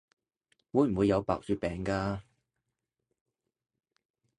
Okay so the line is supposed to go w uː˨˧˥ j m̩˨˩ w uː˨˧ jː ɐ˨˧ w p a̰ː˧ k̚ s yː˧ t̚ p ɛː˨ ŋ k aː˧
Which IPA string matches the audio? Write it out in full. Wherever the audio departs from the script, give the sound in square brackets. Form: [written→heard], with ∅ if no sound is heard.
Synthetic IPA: w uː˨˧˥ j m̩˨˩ w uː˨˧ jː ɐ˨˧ w p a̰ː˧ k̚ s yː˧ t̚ p ɛː˨ ŋ k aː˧